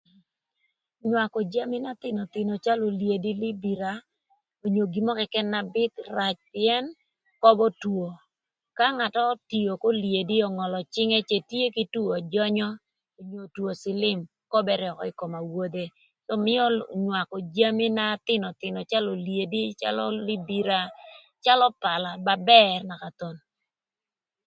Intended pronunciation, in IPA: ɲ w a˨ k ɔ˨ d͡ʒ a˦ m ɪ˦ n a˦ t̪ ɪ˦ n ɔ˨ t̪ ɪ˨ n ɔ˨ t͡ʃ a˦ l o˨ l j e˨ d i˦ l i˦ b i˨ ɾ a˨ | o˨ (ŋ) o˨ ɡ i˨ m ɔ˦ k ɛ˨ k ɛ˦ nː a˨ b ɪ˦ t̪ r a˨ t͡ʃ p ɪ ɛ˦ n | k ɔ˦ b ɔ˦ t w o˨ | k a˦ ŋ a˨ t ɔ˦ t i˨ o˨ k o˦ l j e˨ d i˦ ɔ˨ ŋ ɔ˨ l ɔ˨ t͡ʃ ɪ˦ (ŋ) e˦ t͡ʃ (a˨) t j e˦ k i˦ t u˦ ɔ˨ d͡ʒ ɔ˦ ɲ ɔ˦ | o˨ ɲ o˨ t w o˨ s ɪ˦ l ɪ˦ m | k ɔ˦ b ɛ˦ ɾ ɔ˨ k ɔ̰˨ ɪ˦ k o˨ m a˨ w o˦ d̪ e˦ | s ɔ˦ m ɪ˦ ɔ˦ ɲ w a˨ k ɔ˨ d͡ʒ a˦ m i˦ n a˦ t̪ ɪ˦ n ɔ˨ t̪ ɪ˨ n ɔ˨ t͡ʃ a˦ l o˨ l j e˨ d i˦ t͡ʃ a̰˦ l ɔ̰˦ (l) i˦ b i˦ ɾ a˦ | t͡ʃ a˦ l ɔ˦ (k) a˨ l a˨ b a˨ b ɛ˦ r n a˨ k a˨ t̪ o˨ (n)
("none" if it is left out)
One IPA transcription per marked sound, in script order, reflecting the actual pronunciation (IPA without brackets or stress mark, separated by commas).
ɲ, ŋ, e˨, l, p, n